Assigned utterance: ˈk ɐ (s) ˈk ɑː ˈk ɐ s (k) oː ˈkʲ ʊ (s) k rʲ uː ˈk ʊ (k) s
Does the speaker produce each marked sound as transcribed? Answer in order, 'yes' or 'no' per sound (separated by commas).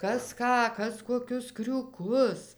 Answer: yes, yes, yes, no